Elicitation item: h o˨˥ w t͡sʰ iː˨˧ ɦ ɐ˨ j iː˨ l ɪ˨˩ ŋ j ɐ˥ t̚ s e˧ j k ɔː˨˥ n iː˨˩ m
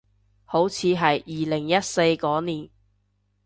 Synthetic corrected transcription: h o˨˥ w t͡sʰ iː˨˧ ɦ ɐ˨ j iː˨ l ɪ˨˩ ŋ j ɐ˥ t̚ s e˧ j k ɔː˨˥ n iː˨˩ n